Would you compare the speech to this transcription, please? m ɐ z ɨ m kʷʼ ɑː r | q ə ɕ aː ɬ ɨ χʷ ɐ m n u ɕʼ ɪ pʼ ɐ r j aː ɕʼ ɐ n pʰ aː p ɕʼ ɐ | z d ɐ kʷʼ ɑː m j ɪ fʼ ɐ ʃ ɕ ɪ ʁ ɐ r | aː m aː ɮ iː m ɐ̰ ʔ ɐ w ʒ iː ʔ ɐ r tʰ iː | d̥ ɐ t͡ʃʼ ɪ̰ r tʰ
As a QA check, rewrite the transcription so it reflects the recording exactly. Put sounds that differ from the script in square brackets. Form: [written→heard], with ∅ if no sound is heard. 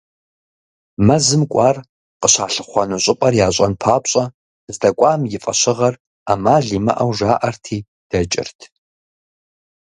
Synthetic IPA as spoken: m ɐ z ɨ m kʷʼ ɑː r | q ə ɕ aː ɬ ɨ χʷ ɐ [m→∅] n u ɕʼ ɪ pʼ ɐ r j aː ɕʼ ɐ n pʰ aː p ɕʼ ɐ | z d ɐ kʷʼ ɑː m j ɪ fʼ ɐ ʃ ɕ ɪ ʁ ɐ r | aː m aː ɮ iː m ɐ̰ ʔ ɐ w ʒ [iː→aː] ʔ ɐ r tʰ iː | d̥ ɐ t͡ʃʼ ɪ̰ r tʰ